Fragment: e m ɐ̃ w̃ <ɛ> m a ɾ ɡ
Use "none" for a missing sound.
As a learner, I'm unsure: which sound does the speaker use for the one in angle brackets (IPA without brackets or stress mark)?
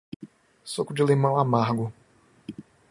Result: a